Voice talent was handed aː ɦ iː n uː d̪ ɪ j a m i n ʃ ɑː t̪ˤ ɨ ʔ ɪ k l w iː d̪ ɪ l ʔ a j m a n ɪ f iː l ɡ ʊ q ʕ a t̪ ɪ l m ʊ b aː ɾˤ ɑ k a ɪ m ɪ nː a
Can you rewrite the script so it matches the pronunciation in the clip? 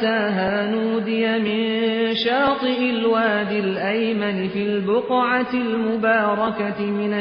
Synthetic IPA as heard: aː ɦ aː n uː d̪ ɪ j a m ɪ n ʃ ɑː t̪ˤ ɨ ʔ ɪ l w aː d̪ ɪ l ʔ a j m a n ɪ f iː l b ʊ q ʕ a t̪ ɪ l m ʊ b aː ɾˤ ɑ k a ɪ m ɪ n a